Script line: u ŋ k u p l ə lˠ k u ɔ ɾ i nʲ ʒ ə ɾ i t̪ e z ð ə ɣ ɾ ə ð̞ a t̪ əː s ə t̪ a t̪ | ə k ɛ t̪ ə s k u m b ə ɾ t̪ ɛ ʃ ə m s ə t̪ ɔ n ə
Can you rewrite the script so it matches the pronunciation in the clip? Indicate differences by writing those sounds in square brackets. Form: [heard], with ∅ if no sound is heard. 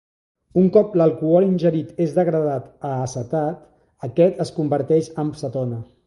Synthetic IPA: u ŋ k [ɔ] p l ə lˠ k u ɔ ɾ i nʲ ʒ ə ɾ i t̪ e z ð ə ɣ ɾ ə ð̞ a t̪ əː s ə t̪ a t̪ | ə k ɛ t̪ ə s k u m b ə ɾ t̪ ɛ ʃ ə m s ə t̪ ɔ n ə